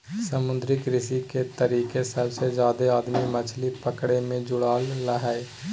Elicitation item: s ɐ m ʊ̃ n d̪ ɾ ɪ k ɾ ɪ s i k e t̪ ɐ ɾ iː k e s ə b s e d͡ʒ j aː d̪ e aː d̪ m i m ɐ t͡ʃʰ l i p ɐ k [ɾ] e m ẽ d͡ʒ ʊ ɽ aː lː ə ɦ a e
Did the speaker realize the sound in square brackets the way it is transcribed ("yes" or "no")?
no